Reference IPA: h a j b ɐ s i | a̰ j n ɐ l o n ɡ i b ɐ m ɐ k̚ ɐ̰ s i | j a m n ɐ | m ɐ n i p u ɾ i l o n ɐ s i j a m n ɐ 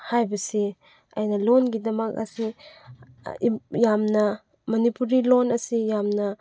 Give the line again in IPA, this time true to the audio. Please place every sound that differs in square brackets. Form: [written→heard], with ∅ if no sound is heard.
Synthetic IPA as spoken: h a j b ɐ s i | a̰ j n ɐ l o n ɡ i [b→d] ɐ m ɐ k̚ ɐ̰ s i | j a m n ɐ | m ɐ n i p u ɾ i l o n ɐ s i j a m n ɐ